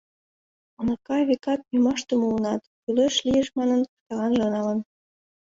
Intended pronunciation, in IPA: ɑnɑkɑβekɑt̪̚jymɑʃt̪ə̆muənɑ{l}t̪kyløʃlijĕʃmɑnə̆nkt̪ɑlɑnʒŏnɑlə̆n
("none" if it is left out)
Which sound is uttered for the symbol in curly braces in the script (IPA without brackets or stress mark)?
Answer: none